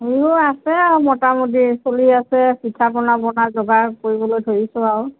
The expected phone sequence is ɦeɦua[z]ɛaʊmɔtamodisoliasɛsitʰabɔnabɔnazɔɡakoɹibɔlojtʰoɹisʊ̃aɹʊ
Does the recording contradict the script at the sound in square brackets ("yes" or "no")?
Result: yes